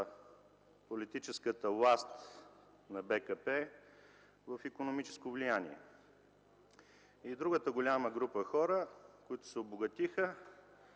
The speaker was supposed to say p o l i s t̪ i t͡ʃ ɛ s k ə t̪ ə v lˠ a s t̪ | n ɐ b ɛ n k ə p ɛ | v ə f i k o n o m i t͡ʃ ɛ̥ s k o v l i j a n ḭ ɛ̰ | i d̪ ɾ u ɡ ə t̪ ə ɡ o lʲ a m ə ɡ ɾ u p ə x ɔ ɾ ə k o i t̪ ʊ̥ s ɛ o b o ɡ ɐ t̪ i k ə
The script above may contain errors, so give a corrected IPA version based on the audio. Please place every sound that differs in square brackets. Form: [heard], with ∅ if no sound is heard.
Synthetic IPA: p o l i [∅] t̪ i t͡ʃ ɛ s k ə t̪ ə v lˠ a s t̪ | n ɐ b ɛ [∅] k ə p ɛ | v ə f i k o n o m i t͡ʃ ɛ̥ s k o v l i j a n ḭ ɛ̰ | i d̪ ɾ u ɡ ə t̪ ə ɡ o lʲ a m ə ɡ ɾ u p ə x ɔ ɾ ə k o i t̪ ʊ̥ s ɛ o b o ɡ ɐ t̪ i [x] ə